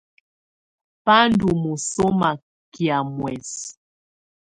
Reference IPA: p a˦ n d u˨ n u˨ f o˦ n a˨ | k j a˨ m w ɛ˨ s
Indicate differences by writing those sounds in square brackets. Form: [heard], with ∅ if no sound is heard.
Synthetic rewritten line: p a˦ n d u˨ [m] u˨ [s] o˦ [m] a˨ | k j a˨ m w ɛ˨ s